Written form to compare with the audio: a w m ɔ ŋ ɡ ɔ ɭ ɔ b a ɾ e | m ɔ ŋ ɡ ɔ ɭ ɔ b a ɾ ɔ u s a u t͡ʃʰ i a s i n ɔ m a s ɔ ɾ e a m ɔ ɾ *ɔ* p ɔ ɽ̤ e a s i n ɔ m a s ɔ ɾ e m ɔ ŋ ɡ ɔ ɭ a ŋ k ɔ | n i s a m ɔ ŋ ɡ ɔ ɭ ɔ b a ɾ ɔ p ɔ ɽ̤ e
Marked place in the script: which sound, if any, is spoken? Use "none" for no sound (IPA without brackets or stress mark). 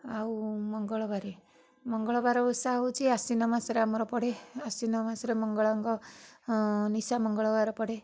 ɔ